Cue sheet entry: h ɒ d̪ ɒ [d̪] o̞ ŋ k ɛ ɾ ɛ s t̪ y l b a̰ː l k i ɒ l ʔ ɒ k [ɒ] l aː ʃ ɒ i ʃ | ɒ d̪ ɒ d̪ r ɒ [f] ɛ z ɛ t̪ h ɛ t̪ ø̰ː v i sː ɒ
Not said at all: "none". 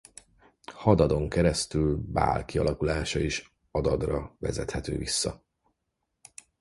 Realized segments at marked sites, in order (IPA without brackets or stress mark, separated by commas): d̪, u, v